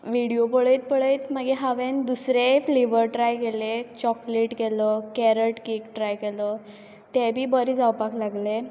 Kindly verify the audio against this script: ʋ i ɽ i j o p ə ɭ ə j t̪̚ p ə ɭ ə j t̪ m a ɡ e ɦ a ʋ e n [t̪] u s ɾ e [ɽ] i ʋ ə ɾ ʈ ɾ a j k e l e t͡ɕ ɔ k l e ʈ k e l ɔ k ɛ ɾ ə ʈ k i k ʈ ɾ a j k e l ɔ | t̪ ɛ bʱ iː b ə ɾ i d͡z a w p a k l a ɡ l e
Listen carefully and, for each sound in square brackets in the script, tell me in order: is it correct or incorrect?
incorrect: d̪, incorrect: l

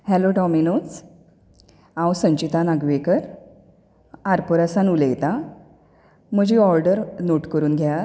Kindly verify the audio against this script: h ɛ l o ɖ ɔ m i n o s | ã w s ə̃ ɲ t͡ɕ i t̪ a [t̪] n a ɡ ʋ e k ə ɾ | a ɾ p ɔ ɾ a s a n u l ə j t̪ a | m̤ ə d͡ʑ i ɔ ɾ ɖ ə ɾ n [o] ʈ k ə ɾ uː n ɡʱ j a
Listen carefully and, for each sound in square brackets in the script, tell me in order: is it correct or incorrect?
incorrect: none, correct

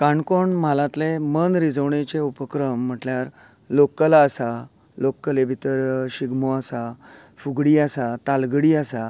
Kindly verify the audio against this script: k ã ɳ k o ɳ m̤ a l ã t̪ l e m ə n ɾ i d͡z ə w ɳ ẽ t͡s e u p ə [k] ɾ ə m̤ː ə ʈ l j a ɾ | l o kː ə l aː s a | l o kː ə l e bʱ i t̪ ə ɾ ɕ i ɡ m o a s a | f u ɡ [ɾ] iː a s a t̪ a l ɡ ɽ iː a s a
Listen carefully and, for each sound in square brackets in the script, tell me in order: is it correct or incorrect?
correct, incorrect: ɽ

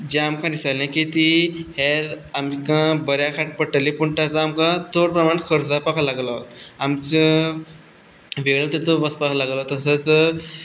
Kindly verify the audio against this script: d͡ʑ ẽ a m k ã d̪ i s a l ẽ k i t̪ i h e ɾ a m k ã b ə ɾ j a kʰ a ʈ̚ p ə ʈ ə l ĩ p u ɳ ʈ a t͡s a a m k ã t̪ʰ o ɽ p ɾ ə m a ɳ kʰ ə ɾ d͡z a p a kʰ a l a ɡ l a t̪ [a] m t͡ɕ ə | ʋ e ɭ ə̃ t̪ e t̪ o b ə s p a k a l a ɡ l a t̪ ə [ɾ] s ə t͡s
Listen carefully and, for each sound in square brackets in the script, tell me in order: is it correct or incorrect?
correct, incorrect: none

